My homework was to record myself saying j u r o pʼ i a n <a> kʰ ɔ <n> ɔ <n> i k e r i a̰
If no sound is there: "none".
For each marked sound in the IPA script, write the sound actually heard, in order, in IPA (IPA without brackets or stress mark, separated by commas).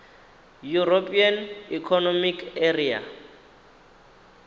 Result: i, n, m